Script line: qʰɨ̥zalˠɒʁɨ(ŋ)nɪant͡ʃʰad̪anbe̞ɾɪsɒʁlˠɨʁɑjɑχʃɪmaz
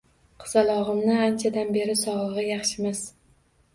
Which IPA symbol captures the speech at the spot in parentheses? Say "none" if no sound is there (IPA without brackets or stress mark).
m